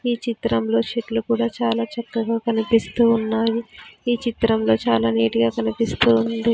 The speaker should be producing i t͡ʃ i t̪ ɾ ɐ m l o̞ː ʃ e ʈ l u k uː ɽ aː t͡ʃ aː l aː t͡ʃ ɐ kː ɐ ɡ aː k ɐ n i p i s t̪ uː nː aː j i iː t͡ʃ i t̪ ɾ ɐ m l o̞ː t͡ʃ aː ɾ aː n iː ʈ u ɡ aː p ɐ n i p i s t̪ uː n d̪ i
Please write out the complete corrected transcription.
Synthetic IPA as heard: iː t͡ʃ i t̪ ɾ ɐ m l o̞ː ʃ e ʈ l u k uː ɽ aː t͡ʃ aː l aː t͡ʃ ɐ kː ɐ ɡ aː k ɐ n i p i s t̪ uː nː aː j i iː t͡ʃ i t̪ ɾ ɐ m l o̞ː t͡ʃ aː l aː n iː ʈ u ɡ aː k ɐ n i p i s t̪ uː n d̪ i

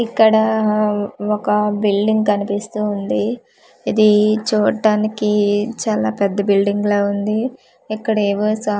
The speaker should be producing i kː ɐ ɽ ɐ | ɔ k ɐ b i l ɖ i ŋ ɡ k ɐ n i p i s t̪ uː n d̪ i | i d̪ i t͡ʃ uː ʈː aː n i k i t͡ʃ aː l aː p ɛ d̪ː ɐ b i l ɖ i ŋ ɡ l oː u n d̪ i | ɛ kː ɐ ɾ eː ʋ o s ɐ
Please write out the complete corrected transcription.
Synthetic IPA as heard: i kː ɐ ɽ ɐ | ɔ k ɐ b i l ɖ i ŋ ɡ k ɐ n i p i s t̪ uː n d̪ i | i d̪ i t͡ʃ uː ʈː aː n i k i t͡ʃ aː l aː p ɛ d̪ː ɐ b i l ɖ i ŋ ɡ l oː u n d̪ i | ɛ kː ɐ ɽ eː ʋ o s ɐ

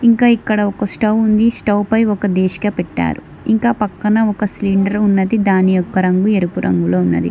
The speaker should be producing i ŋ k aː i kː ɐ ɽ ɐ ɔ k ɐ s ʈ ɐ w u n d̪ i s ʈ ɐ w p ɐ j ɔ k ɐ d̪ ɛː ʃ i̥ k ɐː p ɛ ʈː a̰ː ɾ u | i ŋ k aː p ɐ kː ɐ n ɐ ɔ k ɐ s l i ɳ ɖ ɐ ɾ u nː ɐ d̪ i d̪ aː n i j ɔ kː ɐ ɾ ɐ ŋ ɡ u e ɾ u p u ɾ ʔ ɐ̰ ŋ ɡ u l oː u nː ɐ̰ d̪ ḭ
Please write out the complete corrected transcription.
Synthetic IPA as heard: i ŋ k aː i kː ɐ ɽ ɐ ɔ k ɐ s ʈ ɐ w u n d̪ i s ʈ ɐ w p ɐ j ɔ k ɐ d̪ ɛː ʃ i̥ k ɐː p ɛ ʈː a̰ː ɾ u | i ŋ k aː p ɐ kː ɐ n ɐ ɔ k ɐ s l i ɳ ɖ ɐ ɾ u nː ɐ d̪ i d̪ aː n i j ɔ kː ɐ ɾ ɐ ŋ ɡ u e ɾ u p u ɾ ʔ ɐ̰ ŋ ɡ u l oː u nː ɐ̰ d̪ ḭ

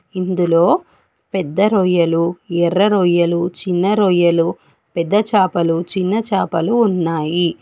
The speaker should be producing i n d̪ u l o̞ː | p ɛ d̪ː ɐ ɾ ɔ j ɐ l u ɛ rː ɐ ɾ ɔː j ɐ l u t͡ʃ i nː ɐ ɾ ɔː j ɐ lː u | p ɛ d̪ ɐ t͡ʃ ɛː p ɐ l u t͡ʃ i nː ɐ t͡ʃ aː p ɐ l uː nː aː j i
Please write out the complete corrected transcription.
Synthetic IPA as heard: i n d̪ u l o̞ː | p ɛ d̪ː ɐ ɾ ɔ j ɐ l u ɛ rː ɐ ɾ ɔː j ɐ l u t͡ʃ i nː ɐ ɾ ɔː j ɐ l u | p ɛ d̪ː ɐ t͡ʃ aː p ɐ l u t͡ʃ i nː ɐ t͡ʃ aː p ɐ l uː nː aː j i

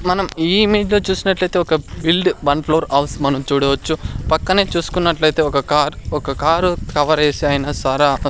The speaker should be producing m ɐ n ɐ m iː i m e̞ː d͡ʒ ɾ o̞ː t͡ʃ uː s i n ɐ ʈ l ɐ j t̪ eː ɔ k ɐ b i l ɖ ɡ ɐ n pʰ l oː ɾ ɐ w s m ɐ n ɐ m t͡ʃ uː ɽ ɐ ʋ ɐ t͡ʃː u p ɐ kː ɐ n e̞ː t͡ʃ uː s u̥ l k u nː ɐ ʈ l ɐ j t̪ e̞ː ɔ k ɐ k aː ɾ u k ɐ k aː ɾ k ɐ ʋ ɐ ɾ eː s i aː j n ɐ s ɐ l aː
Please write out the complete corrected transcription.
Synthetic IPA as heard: m ɐ n ɐ m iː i m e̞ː d͡ʒ l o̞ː t͡ʃ uː s i n ɐ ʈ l ɐ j t̪ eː ɔ k ɐ b i l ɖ b ɐ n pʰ l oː ɾ ɐ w s m ɐ n ɐ m t͡ʃ uː ɽ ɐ ʋ ɐ t͡ʃː u p ɐ kː ɐ n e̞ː t͡ʃ uː s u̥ k u nː ɐ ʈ l ɐ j t̪ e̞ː ɔ k ɐ k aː ɾ ɔ k ɐ k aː ɾ k ɐ ʋ ɐ ɾ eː s i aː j n ɐ s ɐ ɾ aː

